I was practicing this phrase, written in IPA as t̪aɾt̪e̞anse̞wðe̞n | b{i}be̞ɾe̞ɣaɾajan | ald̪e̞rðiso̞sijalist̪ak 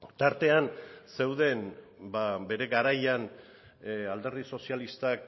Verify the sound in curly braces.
incorrect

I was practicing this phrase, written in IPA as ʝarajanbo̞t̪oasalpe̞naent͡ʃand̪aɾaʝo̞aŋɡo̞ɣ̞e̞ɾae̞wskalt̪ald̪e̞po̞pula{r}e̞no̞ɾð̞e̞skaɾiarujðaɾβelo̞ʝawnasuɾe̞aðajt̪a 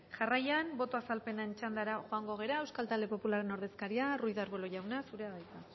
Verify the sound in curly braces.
incorrect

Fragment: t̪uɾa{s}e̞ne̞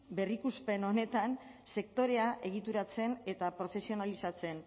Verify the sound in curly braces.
incorrect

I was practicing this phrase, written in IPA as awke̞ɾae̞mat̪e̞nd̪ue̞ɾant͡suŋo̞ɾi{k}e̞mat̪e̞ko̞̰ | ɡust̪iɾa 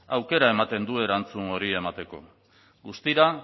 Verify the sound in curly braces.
incorrect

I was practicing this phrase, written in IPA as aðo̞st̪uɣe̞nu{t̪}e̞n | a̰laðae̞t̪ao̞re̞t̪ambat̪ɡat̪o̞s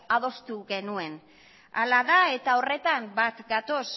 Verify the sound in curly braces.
incorrect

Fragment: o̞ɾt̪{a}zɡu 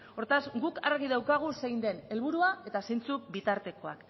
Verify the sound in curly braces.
correct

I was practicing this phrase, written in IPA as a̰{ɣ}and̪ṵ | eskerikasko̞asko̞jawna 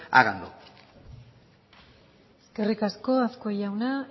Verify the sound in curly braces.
correct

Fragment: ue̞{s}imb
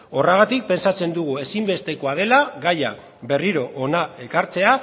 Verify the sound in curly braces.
correct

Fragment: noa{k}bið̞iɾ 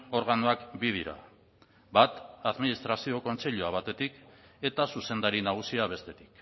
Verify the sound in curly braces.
correct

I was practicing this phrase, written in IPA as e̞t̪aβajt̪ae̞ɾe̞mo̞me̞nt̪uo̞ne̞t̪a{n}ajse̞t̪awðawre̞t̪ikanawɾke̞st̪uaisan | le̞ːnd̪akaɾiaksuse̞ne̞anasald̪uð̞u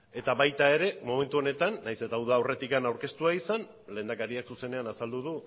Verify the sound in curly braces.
incorrect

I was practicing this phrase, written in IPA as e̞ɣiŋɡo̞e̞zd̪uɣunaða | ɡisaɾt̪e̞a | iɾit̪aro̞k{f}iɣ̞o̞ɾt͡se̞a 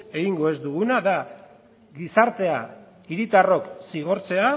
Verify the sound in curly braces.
incorrect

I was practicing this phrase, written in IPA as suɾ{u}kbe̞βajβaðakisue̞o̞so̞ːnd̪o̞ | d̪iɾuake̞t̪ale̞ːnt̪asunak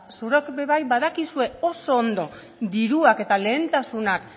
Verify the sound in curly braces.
incorrect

